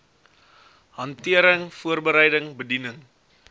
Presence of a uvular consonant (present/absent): absent